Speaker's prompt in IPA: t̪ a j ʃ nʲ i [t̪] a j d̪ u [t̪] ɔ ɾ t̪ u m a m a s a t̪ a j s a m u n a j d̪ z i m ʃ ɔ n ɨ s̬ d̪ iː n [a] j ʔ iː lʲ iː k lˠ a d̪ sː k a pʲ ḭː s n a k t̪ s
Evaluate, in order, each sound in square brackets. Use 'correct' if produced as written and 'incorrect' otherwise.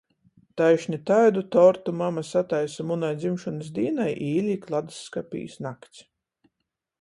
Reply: correct, correct, correct

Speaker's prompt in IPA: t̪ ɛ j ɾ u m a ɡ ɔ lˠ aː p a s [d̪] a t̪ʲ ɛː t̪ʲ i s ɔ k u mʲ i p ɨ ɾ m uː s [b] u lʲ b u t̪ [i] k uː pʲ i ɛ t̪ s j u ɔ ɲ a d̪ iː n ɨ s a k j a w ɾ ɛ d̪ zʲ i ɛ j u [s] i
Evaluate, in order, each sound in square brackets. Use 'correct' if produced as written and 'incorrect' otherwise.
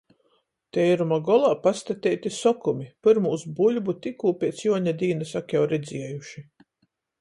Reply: incorrect, correct, correct, incorrect

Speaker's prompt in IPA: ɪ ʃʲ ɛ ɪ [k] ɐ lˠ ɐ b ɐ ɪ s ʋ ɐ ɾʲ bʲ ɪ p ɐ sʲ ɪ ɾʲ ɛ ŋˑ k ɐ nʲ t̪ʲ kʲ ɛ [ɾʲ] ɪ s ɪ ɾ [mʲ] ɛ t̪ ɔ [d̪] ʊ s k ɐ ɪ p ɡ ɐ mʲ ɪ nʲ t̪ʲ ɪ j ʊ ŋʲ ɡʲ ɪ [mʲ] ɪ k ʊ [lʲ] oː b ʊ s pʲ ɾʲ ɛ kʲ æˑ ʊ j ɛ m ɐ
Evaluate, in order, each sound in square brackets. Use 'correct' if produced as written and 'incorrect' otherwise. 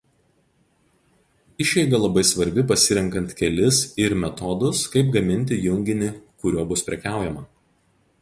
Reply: incorrect, incorrect, correct, correct, incorrect, incorrect

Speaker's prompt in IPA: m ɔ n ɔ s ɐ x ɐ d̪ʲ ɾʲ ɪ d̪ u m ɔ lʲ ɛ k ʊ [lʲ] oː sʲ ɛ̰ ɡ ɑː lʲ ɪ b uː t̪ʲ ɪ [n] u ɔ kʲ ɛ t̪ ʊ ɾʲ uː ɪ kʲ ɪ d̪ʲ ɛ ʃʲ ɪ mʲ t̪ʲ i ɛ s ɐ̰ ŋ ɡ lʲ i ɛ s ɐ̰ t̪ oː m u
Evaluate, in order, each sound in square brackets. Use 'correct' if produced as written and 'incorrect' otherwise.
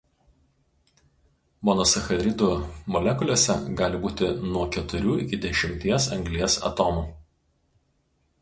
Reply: correct, correct

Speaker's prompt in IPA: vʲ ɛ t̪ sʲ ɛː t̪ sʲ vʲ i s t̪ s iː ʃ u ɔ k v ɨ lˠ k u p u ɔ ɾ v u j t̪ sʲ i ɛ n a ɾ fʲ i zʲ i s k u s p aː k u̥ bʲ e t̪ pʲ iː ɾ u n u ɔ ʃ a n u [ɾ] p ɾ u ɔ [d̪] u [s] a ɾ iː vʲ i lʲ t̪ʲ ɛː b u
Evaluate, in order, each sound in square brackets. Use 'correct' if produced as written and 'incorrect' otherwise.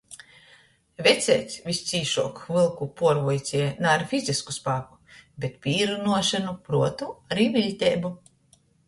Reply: incorrect, incorrect, incorrect

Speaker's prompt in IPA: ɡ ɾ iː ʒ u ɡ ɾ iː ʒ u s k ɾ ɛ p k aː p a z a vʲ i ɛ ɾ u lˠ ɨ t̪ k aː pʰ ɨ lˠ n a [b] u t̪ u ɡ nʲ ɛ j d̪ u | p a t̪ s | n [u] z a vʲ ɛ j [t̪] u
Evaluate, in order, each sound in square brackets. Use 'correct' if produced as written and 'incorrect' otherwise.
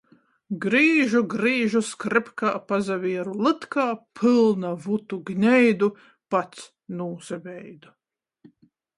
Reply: incorrect, incorrect, incorrect

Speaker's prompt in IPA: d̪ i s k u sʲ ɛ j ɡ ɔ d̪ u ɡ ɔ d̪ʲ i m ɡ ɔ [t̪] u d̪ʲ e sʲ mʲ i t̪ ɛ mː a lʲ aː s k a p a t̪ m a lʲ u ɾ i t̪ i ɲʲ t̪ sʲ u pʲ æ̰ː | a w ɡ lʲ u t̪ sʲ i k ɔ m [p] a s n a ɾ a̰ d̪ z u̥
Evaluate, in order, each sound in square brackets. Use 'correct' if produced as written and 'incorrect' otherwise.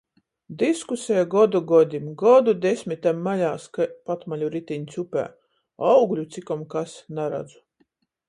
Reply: incorrect, incorrect

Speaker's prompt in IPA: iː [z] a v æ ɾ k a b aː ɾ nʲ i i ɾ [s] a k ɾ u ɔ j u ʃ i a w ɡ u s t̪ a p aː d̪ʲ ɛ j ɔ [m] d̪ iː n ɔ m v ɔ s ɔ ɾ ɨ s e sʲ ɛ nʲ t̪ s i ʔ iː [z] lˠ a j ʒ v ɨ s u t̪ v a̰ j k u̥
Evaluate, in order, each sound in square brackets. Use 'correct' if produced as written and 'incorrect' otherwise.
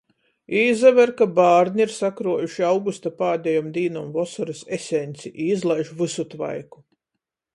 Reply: correct, correct, correct, correct

